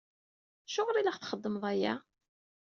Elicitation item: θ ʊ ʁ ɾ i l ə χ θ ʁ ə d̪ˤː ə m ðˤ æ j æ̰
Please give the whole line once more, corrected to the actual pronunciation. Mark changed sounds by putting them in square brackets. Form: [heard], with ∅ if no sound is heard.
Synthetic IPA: [ʃ] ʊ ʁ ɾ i l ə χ θ [χ] ə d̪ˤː ə m ðˤ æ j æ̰